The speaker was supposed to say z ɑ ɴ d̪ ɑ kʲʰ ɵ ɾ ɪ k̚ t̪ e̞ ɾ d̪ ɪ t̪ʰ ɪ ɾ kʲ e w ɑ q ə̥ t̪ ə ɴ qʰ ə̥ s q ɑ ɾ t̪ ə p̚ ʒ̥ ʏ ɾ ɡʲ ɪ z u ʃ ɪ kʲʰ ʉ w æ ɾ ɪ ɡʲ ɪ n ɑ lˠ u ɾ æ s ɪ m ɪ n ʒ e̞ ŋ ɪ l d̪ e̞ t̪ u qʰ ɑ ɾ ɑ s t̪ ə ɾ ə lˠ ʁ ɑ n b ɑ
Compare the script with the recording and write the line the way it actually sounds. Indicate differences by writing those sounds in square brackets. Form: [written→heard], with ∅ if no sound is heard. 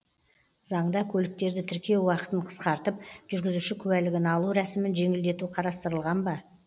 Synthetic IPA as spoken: z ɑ ɴ d̪ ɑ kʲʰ ɵ [ɾ→l] ɪ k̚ t̪ e̞ ɾ d̪ ɪ t̪ʰ ɪ ɾ kʲ e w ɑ q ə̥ t̪ ə ɴ qʰ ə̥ s q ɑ ɾ t̪ ə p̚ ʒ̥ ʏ ɾ ɡʲ ɪ z u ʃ ɪ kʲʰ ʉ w æ [ɾ→l] ɪ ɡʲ ɪ n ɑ lˠ u ɾ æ s ɪ m ɪ n ʒ e̞ ŋ ɪ l d̪ e̞ t̪ u qʰ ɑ ɾ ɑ s t̪ ə ɾ ə lˠ ʁ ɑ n b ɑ